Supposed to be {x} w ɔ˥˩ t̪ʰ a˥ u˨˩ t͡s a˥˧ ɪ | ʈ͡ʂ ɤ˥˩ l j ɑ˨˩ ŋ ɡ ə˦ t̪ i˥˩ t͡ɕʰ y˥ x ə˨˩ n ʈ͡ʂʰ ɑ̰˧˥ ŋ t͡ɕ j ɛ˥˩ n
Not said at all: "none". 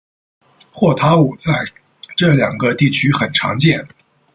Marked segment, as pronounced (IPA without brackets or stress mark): x